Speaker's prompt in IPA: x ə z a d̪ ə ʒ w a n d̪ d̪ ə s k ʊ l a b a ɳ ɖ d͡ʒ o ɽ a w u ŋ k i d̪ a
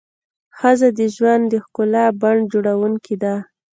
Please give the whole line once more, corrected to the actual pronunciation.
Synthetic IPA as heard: x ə z a d̪ ə ʒ w a n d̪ d̪ ə x k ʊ l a b a ɳ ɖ d͡ʒ o ɽ a w u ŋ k i d̪ a